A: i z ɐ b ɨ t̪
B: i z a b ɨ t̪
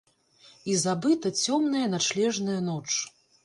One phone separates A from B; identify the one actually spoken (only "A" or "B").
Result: B